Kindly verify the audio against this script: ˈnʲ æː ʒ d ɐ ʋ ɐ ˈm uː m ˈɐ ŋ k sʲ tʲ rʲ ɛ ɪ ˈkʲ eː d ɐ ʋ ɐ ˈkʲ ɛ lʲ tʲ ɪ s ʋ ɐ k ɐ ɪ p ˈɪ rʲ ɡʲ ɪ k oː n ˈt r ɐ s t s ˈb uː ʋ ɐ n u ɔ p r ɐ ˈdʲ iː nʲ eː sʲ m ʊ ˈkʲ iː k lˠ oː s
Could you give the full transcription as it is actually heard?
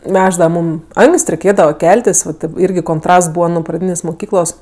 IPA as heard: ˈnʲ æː ʒ d ɐ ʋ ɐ ˈm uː m ˈɐ ŋ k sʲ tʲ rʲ ɛ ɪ ˈkʲ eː d ɐ ʋ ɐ ˈkʲ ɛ lʲ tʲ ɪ s ʋ ɐ t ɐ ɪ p ˈɪ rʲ ɡʲ ɪ k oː n ˈt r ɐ s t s ˈb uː ʋ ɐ n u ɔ p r ɐ ˈdʲ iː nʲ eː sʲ m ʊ ˈkʲ iː k lˠ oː s